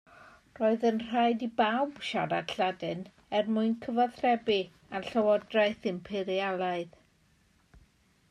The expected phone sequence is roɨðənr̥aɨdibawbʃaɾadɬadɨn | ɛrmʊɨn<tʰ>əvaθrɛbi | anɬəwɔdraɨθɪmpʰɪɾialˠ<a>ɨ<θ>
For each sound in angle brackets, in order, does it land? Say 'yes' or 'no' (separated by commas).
no, yes, no